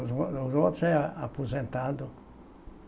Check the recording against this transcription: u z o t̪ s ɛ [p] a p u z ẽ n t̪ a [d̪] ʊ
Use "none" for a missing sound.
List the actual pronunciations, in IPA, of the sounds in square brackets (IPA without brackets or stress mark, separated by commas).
none, d̪